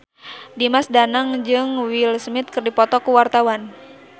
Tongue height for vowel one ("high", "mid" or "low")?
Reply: high